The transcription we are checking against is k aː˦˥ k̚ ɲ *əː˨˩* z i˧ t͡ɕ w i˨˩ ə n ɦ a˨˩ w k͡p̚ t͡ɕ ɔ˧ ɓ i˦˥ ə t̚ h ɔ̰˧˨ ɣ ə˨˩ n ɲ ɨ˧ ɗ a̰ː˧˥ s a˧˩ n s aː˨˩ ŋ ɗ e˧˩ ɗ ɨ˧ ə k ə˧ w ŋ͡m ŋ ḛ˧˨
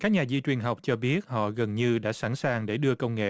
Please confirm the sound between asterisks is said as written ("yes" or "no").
no